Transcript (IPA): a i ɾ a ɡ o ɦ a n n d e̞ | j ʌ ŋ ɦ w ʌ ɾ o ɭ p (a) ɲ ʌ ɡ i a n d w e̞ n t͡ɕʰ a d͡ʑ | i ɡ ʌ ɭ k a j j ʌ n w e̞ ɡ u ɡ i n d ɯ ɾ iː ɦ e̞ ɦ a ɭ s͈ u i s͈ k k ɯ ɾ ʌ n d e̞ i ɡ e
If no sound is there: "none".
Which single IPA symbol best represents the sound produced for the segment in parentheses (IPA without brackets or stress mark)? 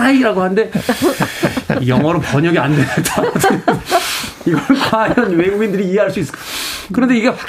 ʌ